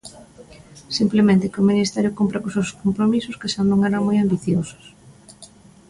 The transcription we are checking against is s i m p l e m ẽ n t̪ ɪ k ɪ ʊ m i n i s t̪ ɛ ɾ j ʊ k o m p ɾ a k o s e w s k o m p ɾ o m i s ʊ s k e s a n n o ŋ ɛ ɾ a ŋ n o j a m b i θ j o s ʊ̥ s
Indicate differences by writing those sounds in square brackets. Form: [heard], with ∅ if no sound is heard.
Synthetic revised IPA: s i m p l e m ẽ n t̪ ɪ k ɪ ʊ m i n i s t̪ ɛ ɾ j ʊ k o m p ɾ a k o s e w s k o m p ɾ o m i s ʊ s k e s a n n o ŋ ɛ ɾ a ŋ [m] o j a m b i θ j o s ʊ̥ s

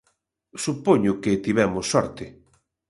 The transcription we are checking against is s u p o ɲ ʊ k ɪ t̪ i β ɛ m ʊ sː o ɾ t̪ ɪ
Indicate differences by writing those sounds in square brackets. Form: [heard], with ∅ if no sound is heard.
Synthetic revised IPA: s u p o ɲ ʊ k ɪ t̪ i β ɛ m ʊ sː [ɔ] ɾ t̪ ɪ

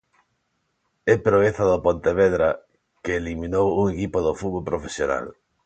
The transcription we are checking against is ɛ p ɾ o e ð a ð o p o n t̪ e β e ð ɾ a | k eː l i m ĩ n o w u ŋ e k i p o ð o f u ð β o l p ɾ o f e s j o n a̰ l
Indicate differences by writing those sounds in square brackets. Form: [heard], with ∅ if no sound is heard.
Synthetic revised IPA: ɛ p ɾ o e [θ] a ð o p o n t̪ e β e ð ɾ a | k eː l i m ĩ n o w u ŋ e k i p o ð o f u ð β o l p ɾ o f e s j o n a̰ l

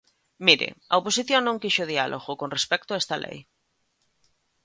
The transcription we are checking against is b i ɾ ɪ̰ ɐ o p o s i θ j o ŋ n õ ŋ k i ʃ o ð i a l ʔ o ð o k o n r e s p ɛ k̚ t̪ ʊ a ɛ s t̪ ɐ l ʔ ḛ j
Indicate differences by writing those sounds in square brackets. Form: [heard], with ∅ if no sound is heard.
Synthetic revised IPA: [m] i ɾ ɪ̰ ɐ o p o s i θ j o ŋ n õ ŋ k i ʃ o ð i a l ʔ o [ɣ] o k o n r e s p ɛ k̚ t̪ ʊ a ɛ s t̪ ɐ l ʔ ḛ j

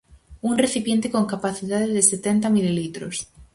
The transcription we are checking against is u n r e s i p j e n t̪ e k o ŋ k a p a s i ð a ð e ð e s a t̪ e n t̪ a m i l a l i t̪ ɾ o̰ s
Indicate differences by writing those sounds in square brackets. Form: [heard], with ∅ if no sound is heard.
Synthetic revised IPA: u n r e [θ] i p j e n t̪ e k o ŋ k a p a [θ] i ð a ð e ð e s [e] t̪ e n t̪ a m i l [i] l i t̪ ɾ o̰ s

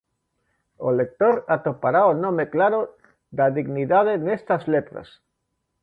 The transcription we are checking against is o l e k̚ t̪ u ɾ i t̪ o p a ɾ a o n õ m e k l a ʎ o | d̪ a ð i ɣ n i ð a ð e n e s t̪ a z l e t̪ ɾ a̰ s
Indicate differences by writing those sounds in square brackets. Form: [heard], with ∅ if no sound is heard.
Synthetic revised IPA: o l e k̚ t̪ [o] ɾ [a] t̪ o p a ɾ a o n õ m e k l a [ɾ] o | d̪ a ð i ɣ n i ð a ð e n e s t̪ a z l e t̪ ɾ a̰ s

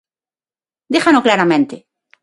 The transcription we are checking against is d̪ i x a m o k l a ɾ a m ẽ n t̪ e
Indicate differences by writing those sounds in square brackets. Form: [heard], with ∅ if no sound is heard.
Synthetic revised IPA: d̪ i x a [n] o k l a ɾ a m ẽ n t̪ e

